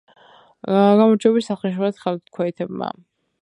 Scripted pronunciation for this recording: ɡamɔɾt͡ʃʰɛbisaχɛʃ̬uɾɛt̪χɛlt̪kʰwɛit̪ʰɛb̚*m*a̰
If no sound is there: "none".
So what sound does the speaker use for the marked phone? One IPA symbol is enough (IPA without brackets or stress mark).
m